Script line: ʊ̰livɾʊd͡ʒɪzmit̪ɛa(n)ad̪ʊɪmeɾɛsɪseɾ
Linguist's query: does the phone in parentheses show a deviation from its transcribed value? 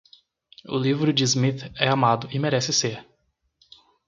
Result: yes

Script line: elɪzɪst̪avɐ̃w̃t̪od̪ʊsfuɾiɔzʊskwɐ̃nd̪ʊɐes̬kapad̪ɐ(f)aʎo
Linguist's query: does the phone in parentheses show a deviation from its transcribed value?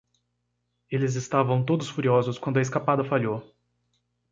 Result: no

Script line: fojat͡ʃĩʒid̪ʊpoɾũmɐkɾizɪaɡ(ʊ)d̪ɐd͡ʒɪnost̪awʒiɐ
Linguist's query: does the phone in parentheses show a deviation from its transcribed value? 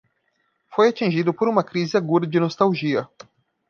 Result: yes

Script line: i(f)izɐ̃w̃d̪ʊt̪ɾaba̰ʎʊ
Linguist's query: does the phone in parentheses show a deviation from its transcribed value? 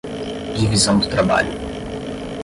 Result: yes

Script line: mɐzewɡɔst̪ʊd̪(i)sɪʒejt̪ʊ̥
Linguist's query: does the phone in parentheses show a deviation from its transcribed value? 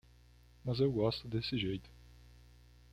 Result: yes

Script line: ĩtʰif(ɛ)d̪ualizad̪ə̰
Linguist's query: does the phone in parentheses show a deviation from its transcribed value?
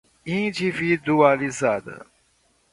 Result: yes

